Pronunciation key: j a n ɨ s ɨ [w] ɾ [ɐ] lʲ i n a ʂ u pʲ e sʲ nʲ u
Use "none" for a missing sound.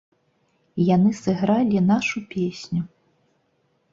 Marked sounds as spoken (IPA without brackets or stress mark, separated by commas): ɣ, a